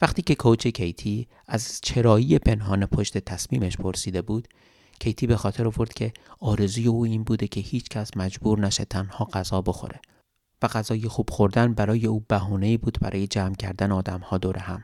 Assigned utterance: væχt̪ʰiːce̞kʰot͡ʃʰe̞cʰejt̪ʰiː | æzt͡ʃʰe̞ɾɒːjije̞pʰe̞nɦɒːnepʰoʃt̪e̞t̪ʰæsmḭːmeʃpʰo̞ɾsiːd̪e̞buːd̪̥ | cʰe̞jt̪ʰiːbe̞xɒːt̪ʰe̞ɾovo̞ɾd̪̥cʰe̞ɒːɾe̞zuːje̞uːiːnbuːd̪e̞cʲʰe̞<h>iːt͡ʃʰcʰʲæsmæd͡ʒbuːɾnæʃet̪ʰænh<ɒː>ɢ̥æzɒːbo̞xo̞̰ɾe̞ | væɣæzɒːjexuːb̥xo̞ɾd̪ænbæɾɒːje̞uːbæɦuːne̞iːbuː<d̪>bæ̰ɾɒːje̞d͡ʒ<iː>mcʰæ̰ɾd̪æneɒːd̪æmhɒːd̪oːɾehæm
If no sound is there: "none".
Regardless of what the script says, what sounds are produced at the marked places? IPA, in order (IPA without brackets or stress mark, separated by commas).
h, ɒː, d̪, æː